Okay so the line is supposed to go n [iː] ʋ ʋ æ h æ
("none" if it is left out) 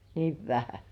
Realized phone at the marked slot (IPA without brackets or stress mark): iː